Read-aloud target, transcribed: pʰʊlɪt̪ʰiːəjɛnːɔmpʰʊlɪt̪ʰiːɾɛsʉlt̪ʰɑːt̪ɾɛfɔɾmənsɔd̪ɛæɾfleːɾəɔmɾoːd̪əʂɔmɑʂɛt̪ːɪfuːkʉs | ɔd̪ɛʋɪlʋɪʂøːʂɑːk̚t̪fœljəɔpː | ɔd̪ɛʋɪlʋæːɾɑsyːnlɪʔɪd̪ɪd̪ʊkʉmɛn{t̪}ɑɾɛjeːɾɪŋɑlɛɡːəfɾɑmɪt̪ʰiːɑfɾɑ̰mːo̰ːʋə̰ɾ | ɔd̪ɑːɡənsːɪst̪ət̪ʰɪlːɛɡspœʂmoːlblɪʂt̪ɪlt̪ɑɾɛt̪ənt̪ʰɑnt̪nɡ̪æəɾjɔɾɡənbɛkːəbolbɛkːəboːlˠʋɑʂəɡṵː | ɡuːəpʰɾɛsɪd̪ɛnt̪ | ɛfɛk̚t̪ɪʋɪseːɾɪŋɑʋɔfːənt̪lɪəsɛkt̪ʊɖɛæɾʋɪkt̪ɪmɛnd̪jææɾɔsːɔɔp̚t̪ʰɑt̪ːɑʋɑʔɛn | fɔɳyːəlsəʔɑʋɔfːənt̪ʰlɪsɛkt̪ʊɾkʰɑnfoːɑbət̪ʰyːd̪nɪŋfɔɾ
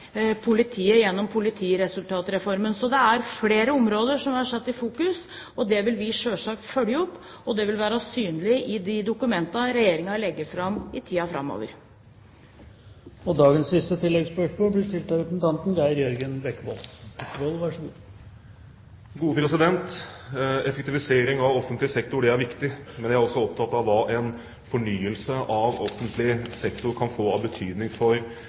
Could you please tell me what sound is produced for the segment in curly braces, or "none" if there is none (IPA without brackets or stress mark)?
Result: t̪